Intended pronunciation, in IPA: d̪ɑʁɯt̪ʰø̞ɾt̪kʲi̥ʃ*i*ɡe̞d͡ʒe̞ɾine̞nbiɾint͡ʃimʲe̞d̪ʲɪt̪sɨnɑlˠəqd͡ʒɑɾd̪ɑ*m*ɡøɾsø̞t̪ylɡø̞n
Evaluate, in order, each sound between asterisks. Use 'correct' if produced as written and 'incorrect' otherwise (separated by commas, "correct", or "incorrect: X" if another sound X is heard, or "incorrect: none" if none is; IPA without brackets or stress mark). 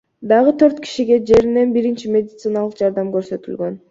correct, correct